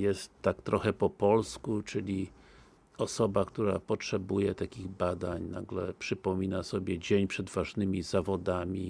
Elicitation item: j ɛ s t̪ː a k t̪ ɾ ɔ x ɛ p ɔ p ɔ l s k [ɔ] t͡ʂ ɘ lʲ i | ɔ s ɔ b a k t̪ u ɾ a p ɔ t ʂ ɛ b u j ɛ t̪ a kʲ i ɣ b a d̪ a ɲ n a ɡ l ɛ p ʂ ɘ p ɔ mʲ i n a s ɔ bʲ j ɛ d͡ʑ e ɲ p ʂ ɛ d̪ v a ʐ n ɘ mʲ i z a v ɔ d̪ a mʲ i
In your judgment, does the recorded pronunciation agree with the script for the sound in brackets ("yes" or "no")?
no